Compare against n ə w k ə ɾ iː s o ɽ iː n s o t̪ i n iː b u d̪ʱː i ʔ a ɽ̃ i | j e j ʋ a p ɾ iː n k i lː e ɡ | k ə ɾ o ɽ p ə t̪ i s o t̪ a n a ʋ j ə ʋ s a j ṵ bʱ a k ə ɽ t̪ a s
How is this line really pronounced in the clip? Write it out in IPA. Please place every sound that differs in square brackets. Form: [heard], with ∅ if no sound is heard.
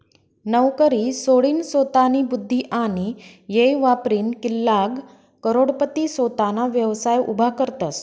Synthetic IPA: n ə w k ə ɾ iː s o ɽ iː n s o t̪ [a] n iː b u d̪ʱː i ʔ a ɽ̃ i | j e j ʋ a p ɾ iː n k i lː [a] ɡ | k ə ɾ o ɽ p ə t̪ i s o t̪ a n a ʋ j ə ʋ s a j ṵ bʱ a k ə [ɾ] t̪ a s